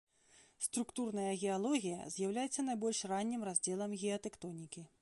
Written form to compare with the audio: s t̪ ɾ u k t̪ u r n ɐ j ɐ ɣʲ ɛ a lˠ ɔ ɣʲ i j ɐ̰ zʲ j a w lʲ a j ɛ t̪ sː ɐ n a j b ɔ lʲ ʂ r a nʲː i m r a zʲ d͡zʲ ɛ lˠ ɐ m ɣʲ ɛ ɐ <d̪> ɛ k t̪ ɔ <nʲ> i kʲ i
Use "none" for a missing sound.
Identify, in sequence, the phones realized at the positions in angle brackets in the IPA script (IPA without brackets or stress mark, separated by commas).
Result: t̪, nʲ